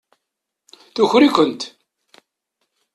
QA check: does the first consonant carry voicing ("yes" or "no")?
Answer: no